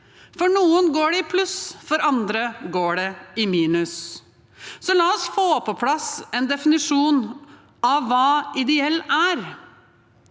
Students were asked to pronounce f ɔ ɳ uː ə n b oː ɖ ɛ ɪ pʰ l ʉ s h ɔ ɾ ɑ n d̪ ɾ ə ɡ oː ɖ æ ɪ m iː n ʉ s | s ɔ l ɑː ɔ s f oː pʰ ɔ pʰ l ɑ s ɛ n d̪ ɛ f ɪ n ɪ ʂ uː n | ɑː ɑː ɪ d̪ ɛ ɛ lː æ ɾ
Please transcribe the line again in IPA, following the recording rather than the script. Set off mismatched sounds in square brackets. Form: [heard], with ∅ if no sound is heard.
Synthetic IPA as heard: f ɔ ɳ uː ə n [ɡ] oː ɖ ɛ ɪ pʰ l ʉ s [f] ɔ ɾ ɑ n d̪ ɾ ə ɡ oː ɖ [ɛ] ɪ m iː n ʉ s | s ɔ l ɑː ɔ s f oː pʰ ɔ pʰ l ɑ s ɛ n d̪ ɛ f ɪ n ɪ ʂ uː n | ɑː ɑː ɪ d̪ ɛ ɛ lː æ ɾ